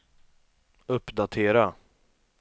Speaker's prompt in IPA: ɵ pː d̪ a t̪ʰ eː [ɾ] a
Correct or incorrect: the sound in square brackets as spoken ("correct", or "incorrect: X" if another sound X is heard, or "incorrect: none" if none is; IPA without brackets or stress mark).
correct